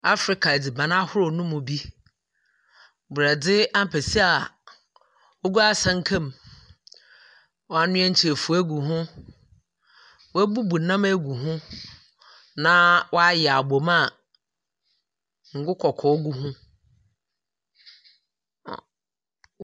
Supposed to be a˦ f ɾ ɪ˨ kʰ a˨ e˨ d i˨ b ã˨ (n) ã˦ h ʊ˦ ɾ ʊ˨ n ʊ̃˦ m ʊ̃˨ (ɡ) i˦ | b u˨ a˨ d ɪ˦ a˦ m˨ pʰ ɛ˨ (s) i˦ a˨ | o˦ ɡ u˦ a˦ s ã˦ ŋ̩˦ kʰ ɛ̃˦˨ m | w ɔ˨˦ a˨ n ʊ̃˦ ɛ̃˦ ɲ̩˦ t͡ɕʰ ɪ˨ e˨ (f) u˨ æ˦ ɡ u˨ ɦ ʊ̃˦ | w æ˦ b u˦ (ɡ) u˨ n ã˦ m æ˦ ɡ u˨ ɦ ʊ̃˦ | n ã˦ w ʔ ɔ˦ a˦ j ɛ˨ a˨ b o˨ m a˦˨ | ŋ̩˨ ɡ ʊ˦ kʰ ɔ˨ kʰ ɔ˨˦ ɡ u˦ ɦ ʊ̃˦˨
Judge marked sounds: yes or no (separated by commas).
yes, no, yes, yes, no